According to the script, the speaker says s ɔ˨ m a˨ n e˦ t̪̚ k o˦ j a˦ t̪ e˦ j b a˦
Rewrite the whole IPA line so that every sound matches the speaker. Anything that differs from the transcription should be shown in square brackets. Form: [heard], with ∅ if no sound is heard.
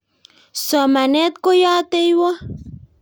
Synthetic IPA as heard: s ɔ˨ m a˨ n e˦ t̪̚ k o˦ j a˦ t̪ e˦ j [w] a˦